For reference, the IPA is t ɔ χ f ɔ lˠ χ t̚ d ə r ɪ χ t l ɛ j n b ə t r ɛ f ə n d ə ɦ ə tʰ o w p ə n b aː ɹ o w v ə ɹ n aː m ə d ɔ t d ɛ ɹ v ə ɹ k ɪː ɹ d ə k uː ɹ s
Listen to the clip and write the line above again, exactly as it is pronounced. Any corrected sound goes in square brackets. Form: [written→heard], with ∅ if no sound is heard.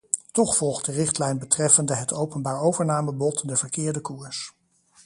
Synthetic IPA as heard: t ɔ χ f ɔ lˠ χ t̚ d ə r ɪ χ t l ɛ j n b ə t r ɛ f ə n d ə ɦ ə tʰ o w p ə n b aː ɹ o w v ə ɹ n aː m ə [d→b] ɔ t d ɛ ɹ v ə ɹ k ɪː ɹ d ə k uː ɹ s